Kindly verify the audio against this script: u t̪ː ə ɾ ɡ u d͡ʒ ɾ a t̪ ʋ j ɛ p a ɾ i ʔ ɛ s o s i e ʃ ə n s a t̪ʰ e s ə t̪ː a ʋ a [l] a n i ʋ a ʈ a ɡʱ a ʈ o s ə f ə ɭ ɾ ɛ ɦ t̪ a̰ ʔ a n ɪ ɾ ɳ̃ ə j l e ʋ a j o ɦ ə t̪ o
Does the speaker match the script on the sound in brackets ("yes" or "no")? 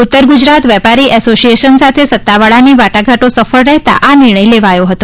no